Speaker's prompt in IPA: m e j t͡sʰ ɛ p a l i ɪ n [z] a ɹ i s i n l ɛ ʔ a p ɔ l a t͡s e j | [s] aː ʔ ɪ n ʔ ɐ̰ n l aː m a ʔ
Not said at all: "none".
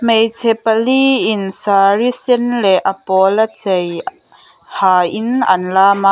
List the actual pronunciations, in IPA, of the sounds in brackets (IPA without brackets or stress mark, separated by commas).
s, h